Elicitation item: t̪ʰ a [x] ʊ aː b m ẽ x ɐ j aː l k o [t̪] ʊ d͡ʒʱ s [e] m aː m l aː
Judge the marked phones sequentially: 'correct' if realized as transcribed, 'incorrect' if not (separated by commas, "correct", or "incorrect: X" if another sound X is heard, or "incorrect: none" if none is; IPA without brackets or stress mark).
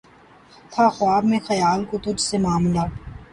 correct, correct, correct